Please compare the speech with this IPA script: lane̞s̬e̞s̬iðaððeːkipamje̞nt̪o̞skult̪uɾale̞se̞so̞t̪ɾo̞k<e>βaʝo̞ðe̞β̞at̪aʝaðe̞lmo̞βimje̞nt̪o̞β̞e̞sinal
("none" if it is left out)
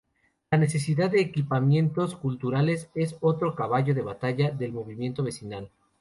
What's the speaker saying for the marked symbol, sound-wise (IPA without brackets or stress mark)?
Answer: a